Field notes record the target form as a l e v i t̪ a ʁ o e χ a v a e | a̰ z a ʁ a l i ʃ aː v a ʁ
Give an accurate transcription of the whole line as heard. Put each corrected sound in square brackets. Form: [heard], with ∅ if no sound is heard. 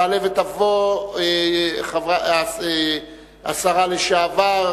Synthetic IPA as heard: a l e v [e] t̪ a [v] o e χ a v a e | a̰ [s] a ʁ a l [e] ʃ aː v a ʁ

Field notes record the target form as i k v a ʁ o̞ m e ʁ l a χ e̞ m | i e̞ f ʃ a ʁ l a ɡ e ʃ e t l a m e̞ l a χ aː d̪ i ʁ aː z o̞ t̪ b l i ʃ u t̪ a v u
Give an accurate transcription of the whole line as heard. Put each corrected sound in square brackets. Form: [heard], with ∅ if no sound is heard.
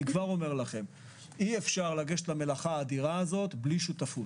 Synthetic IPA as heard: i k v a ʁ o̞ m e ʁ l a χ e̞ m | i e̞ f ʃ a ʁ l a ɡ e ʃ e t l a m e̞ l a χ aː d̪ i ʁ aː z o̞ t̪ b l i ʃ u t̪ a [f] u

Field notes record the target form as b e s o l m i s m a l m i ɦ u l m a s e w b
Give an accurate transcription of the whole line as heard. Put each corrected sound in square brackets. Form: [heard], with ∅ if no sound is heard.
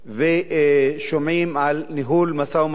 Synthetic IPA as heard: [v] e [ʃ] o [∅] m i [∅] m a l [n] i ɦ u l m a s [a] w [m]

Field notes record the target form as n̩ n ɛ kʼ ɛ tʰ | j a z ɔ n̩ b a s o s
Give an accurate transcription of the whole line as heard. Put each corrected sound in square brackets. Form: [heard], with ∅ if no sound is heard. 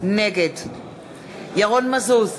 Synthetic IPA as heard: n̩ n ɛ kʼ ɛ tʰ | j a [ɣ] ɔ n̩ [m] a s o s

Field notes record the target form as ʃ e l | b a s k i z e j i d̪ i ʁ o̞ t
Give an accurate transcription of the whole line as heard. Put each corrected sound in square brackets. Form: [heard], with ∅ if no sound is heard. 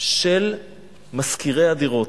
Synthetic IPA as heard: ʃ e l | [m] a s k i [ʁ] e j [a] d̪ i ʁ o̞ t

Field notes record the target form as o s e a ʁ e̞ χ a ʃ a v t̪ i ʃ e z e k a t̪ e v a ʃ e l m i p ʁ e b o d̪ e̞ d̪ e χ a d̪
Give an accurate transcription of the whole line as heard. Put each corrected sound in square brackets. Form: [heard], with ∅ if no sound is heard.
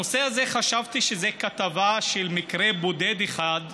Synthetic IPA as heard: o s e a [z] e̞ χ a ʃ a v t̪ i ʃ e z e k a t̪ [a] v a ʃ e l m i [k] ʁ e b o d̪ e̞ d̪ e χ a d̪

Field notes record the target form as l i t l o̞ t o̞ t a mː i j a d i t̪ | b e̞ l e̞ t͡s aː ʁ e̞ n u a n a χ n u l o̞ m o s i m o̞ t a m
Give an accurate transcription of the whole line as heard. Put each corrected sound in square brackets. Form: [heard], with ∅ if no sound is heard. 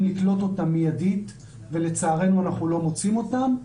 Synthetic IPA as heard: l i [k] l o̞ t o̞ t a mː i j a d i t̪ | [v] e̞ l e̞ t͡s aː ʁ e̞ n u a n a χ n u l o̞ m o [t͡s] i m o̞ t a m

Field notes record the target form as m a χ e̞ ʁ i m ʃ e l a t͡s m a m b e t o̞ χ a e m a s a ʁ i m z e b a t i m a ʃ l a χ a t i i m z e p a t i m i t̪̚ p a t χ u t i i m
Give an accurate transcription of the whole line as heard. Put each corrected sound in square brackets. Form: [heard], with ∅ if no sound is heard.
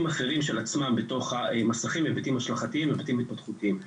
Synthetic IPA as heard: m a χ e̞ ʁ i m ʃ e l a t͡s m a m b e t o̞ χ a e m a s a [χ] i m [v] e b a t i m a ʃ l a χ a t i i m [v] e [b] a t i m i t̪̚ p a t χ u t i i m

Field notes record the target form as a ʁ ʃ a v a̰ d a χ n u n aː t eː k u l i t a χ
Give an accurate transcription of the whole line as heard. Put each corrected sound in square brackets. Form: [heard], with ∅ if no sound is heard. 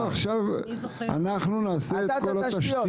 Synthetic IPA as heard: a [χ] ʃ a v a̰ [n] a χ n u n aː [s] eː k [o] l [a] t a [ʃ]

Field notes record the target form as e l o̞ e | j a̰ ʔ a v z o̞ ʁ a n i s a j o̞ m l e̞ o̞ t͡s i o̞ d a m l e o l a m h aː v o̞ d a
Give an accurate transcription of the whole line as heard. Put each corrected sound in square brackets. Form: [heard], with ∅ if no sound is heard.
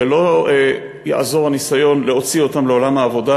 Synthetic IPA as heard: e l o̞ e | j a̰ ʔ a [∅] z o̞ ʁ a n i s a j o̞ [n] l e̞ o̞ t͡s i o̞ [t] a m l e o l a m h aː v o̞ d a

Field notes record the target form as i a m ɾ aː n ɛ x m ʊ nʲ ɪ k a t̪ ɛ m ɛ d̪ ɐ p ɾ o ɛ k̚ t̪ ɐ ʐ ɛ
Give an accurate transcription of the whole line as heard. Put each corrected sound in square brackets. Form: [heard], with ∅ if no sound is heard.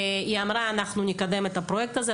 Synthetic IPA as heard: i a m ɾ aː n [a] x [n] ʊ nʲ ɪ k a [d̪] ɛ m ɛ [t̪] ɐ p ɾ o ɛ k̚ t̪ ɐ [z] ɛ

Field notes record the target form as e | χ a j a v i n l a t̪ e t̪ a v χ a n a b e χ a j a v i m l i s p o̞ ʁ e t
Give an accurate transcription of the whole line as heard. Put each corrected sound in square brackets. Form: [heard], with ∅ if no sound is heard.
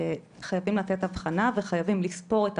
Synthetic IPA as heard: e | χ a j a v i [m] l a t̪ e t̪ a v χ a n a [v] e χ a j a v i m l i s p o̞ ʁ e t

